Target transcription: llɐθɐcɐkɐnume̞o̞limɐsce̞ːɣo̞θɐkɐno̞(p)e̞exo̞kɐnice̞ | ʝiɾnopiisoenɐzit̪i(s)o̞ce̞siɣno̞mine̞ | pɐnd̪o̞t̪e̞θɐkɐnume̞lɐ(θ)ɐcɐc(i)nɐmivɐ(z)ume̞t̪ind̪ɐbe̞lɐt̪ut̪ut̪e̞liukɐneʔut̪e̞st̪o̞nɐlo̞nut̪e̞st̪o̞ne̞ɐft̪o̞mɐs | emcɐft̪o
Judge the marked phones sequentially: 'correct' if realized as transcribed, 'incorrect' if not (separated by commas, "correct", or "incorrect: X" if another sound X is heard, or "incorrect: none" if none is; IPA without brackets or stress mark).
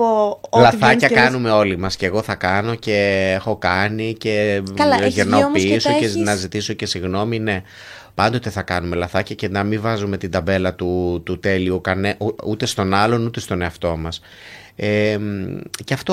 incorrect: c, correct, correct, incorrect: e, correct